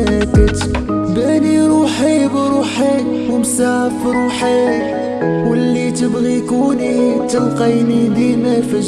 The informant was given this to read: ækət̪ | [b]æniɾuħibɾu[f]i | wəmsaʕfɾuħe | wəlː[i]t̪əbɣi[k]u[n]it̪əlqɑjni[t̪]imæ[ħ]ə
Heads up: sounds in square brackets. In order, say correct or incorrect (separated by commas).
correct, incorrect, correct, correct, correct, incorrect, incorrect